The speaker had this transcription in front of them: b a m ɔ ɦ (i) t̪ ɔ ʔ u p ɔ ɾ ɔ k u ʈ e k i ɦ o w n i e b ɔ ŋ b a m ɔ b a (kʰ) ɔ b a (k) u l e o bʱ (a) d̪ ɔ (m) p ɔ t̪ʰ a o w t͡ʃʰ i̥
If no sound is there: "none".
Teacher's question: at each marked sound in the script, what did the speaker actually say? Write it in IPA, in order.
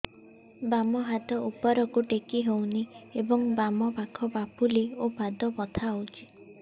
a, kʰ, p, a, none

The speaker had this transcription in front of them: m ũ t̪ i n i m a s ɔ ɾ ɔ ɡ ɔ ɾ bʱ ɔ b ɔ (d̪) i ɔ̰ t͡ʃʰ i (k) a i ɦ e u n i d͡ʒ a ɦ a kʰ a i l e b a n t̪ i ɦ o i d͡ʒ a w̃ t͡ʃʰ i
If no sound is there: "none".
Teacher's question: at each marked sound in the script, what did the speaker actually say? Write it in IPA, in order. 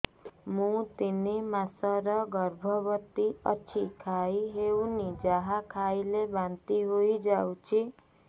t̪, kʰ

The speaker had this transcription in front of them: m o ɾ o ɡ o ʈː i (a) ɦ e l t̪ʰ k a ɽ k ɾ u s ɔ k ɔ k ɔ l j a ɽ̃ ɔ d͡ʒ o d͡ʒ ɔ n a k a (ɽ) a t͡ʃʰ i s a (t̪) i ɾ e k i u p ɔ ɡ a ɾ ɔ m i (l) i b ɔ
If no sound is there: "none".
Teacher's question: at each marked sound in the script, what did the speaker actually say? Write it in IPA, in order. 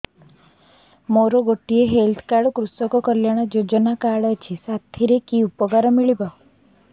e, ɽ, t̪ʰ, ɭ

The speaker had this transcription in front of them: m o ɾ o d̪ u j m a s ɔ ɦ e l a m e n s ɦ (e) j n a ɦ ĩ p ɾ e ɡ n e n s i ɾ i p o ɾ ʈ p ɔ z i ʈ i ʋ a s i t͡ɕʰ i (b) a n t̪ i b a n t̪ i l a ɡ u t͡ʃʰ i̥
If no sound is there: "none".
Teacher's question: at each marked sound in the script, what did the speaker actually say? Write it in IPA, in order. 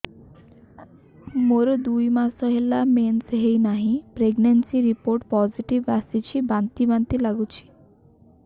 e, b

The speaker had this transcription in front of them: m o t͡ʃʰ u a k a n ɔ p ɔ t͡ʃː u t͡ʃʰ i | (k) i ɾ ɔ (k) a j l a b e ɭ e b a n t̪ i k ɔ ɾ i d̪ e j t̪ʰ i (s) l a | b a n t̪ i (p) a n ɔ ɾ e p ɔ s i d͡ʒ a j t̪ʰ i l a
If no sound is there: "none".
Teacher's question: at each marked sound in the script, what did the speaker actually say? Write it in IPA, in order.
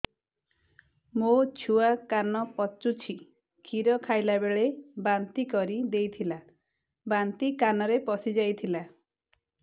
kʰ, kʰ, none, k

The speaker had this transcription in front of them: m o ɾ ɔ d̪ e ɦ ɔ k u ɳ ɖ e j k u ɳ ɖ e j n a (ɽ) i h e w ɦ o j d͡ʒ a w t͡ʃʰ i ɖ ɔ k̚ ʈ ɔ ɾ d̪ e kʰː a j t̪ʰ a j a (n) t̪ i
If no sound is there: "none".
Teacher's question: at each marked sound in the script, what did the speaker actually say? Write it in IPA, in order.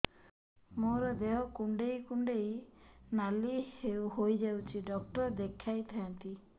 l, n

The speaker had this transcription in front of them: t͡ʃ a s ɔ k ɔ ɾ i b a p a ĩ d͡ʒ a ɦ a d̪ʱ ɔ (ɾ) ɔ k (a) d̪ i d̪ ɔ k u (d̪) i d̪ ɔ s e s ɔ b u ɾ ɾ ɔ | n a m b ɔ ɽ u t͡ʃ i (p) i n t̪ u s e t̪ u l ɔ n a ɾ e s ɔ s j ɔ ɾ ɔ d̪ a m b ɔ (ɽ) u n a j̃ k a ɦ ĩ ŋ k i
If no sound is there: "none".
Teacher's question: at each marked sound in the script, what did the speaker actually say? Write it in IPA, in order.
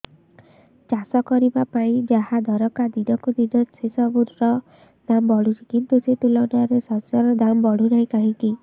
ɾ, a, d̪, k, ɽ

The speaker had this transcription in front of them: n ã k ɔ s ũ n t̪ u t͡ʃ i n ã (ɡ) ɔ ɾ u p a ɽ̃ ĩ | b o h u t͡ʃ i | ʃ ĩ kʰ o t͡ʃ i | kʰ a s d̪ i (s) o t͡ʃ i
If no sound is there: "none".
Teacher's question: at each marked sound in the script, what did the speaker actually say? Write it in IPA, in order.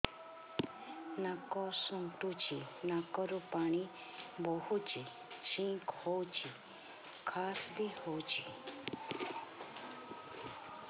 k, h

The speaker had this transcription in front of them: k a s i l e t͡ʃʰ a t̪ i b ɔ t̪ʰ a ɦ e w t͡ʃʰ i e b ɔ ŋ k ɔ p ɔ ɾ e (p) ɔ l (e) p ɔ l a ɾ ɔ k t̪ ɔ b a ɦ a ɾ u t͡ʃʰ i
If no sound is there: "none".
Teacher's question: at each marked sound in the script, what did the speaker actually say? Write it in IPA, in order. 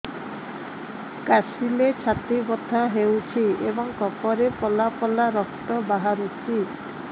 p, a

